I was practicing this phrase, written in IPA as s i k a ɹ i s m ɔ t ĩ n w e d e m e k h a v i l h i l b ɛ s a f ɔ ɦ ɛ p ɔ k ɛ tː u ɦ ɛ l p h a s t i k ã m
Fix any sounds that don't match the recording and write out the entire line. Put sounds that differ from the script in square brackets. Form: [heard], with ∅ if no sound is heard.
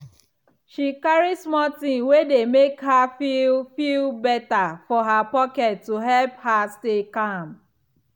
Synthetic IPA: [ʃ] i k a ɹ i s m ɔ t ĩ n w e d e m e k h a [f] i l [f] i l b ɛ [t] a f ɔ ɦ [a] p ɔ k ɛ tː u ɦ ɛ l p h a s t [e] k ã m